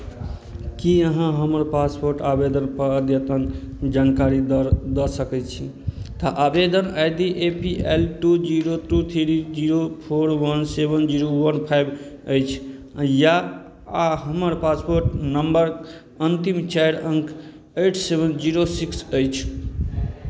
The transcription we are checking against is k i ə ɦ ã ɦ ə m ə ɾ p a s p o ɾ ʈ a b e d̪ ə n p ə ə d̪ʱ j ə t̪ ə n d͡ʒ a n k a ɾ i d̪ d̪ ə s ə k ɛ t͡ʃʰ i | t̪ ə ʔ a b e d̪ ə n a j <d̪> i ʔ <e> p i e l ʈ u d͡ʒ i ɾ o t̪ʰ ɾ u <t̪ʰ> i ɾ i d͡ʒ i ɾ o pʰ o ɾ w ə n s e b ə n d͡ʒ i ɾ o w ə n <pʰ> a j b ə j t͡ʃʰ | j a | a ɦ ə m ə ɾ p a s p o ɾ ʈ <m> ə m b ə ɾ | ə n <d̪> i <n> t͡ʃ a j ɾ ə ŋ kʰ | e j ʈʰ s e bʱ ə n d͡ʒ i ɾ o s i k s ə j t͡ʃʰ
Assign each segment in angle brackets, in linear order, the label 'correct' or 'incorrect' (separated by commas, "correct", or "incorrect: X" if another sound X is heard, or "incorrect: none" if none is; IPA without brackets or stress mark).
correct, correct, correct, correct, incorrect: n, incorrect: t̪, incorrect: m